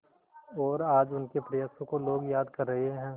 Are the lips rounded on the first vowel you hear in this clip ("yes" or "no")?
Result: yes